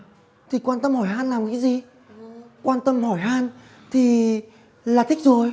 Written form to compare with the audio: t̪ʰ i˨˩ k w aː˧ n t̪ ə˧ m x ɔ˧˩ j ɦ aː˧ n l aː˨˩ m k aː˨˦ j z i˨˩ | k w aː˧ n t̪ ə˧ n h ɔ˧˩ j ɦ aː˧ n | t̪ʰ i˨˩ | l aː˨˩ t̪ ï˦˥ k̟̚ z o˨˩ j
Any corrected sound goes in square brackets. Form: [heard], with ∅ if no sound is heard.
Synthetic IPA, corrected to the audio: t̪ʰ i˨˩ k w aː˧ n t̪ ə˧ m [h] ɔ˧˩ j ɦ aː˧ n l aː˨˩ m k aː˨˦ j z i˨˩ | k w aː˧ n t̪ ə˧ [m] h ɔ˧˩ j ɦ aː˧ n | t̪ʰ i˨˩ | l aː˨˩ t̪ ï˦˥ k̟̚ z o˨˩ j